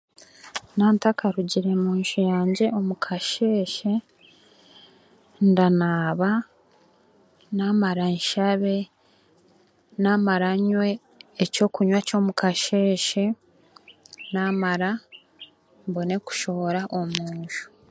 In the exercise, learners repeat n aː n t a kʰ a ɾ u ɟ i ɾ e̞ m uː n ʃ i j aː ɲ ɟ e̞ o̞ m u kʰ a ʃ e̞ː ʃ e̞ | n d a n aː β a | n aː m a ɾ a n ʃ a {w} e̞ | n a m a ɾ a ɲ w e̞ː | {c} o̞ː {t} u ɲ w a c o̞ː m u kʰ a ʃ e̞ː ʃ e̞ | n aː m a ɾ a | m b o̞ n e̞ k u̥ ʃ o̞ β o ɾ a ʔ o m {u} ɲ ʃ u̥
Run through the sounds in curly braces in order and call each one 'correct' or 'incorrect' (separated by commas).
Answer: incorrect, correct, incorrect, incorrect